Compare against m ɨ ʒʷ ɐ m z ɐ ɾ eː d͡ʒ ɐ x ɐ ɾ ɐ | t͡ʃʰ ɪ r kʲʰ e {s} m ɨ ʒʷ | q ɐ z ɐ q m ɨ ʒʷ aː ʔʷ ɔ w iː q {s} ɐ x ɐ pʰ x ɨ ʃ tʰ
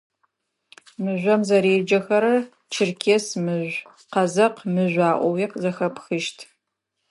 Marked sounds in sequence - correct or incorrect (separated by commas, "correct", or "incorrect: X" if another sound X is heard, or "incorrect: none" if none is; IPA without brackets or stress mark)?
correct, incorrect: z